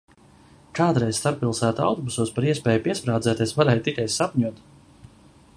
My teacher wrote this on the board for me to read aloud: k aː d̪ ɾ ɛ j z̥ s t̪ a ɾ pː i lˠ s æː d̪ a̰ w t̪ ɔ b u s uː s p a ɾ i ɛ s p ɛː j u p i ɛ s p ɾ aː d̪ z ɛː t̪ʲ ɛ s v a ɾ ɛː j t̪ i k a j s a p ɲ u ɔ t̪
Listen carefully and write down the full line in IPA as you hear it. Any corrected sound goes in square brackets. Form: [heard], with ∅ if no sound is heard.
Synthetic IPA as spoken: k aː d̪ ɾ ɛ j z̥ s t̪ a ɾ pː i lˠ s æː [t̪] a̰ w t̪ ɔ b u s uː s p a ɾ i ɛ s p ɛː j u p i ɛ s p ɾ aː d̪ z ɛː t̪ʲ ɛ s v a ɾ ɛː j t̪ i k a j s a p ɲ u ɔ t̪